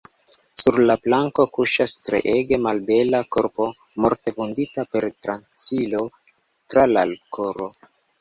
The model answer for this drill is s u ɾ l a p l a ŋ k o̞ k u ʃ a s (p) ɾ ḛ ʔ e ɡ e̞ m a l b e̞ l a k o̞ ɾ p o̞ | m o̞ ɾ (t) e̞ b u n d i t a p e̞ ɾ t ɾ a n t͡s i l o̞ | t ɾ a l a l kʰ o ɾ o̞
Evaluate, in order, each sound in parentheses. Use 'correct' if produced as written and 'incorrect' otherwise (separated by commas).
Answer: incorrect, correct